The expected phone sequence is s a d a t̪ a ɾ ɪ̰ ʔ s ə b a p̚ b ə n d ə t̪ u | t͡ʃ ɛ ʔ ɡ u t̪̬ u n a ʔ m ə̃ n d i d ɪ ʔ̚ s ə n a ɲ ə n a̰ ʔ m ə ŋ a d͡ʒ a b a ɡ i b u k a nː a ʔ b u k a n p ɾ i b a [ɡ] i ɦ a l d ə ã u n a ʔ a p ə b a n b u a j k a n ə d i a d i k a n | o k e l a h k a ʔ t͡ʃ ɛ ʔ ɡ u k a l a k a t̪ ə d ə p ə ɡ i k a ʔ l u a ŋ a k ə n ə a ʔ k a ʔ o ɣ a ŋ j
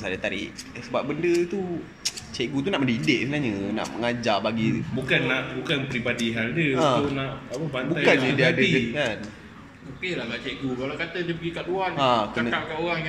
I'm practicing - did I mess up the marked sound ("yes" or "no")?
yes